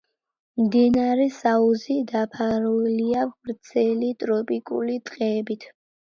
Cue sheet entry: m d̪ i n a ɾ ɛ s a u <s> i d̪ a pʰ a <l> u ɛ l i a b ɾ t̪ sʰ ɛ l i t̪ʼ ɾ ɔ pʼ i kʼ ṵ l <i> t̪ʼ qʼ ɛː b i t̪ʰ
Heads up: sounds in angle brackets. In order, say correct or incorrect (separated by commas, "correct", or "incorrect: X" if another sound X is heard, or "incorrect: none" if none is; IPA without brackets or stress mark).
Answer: incorrect: z, incorrect: ɾ, correct